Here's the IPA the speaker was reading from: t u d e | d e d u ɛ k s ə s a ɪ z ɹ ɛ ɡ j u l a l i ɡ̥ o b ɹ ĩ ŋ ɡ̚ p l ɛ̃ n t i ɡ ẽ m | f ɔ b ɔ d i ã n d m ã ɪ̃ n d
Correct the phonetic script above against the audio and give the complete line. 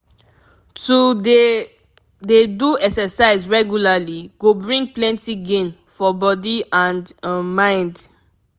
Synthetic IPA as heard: t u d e | d e d u ɛ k s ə s a ɪ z ɹ ɛ ɡ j u l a l i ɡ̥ o b ɹ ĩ ŋ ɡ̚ p l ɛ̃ n t i ɡ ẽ n | f ɔ b ɔ d i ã n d m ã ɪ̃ n d